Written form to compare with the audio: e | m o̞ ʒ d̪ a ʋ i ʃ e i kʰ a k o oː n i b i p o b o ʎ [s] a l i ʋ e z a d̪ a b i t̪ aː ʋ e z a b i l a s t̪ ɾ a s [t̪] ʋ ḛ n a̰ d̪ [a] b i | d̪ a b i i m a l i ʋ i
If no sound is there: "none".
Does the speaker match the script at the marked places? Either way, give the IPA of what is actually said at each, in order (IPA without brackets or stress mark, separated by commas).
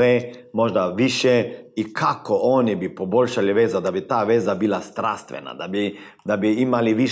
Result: ʃ, t̪, a